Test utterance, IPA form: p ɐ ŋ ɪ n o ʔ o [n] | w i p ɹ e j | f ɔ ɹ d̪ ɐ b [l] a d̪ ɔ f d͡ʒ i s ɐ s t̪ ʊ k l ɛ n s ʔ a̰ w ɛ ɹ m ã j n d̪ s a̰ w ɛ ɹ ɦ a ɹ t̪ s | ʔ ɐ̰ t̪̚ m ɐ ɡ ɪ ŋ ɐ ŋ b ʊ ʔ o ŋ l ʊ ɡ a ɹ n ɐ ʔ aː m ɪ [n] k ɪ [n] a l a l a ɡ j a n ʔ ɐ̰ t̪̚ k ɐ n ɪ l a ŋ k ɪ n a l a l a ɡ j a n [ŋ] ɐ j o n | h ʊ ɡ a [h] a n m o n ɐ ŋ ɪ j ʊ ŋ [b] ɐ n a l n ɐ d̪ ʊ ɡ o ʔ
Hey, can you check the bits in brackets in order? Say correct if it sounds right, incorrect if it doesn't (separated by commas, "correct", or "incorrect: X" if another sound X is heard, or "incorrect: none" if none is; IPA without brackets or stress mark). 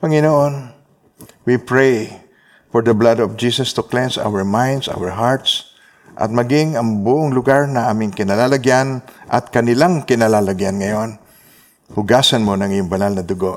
correct, correct, incorrect: ŋ, correct, correct, incorrect: s, correct